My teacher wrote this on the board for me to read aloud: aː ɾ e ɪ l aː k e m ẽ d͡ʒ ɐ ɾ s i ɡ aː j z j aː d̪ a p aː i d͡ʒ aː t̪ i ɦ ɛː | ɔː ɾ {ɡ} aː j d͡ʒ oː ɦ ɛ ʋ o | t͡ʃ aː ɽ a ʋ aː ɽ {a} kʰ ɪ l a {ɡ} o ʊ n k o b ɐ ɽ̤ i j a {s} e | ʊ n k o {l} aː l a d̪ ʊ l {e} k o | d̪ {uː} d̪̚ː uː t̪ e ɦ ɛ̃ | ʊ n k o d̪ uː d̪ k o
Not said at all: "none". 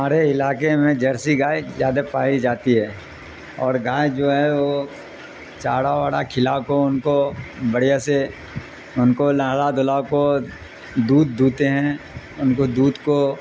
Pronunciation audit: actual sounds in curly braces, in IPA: ɡ, a, k, s, l, a, uː

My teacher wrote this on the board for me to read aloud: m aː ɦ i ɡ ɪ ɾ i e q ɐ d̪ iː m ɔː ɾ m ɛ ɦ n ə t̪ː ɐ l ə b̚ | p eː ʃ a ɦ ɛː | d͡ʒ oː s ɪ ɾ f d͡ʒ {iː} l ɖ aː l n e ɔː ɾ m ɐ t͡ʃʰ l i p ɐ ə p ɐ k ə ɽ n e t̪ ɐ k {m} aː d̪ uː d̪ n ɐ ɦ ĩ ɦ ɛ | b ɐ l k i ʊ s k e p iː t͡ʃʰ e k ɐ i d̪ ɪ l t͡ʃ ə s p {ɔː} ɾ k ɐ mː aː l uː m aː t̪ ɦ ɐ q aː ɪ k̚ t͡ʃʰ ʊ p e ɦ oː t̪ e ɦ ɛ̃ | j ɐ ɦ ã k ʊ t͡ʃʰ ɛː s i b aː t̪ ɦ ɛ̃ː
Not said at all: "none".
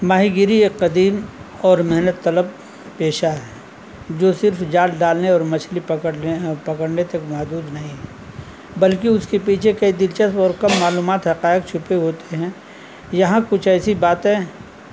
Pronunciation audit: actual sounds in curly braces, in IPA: aː, m, ɔː

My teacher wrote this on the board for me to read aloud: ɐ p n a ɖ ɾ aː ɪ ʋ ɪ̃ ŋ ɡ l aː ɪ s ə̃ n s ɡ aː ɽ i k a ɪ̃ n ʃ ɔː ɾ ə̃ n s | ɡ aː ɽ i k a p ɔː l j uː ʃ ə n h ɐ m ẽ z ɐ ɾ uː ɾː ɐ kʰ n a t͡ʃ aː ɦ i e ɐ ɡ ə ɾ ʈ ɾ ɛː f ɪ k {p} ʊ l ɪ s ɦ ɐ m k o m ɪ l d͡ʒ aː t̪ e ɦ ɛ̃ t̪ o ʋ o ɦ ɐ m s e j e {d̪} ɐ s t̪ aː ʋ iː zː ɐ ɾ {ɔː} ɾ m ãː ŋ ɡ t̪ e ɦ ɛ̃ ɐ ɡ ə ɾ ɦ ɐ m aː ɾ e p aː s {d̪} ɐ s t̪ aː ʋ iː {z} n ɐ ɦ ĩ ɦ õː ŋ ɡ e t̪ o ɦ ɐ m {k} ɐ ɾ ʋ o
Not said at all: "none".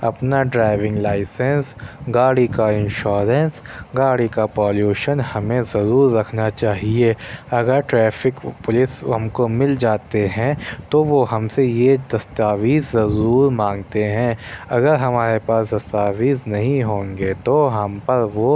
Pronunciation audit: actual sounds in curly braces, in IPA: p, d̪, uː, d̪, z, p

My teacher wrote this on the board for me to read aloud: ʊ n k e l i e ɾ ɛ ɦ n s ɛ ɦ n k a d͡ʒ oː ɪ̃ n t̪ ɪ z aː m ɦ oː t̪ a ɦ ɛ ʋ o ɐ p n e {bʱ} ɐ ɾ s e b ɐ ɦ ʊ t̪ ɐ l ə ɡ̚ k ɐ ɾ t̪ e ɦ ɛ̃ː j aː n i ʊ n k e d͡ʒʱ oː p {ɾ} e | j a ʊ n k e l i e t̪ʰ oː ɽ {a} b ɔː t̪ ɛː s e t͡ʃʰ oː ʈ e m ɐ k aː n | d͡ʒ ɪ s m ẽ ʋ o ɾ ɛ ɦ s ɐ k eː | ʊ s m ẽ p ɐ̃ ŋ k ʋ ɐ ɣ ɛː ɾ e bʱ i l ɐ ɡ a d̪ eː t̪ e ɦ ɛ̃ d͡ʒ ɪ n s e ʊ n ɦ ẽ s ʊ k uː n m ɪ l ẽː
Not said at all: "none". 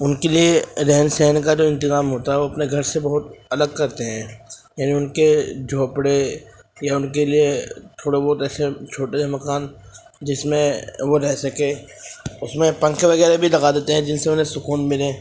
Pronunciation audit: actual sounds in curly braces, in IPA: ɡʱ, ɽ, e

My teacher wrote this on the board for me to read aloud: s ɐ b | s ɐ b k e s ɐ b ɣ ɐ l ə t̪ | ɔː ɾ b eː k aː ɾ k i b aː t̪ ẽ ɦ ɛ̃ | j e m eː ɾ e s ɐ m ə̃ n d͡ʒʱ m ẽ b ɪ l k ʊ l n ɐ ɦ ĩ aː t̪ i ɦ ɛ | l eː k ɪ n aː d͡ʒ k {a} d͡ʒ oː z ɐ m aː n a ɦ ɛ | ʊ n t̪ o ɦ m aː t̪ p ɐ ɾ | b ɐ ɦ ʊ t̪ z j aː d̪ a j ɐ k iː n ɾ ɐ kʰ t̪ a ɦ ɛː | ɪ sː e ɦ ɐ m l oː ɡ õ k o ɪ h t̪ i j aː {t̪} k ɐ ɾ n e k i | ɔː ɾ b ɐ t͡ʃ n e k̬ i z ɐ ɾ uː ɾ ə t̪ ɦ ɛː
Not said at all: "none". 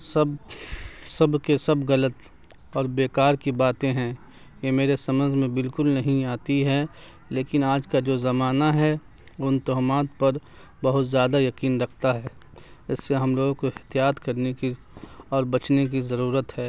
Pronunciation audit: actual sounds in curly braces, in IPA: a, t̪

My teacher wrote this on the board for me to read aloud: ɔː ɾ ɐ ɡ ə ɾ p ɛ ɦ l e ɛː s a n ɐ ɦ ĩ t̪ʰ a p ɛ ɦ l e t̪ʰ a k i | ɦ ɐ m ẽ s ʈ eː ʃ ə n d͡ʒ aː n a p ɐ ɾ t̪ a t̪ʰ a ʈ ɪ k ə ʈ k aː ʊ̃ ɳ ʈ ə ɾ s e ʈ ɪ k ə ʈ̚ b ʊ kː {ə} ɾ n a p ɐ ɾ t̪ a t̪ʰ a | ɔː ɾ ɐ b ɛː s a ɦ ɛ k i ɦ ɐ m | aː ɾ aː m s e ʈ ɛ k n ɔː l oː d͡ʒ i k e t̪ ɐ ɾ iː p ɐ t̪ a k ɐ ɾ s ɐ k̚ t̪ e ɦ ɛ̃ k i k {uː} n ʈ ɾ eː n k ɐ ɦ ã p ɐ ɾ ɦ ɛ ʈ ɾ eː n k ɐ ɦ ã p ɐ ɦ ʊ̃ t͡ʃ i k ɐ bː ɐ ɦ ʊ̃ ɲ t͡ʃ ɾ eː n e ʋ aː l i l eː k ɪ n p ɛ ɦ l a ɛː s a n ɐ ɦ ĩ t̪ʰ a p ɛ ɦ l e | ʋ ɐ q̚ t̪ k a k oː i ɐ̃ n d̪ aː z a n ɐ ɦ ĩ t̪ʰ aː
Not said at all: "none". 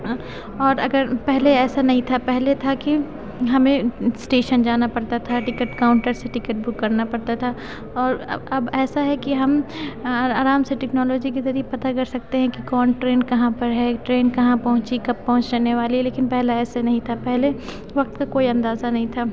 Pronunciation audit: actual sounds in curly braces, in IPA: ɐ, ɔː

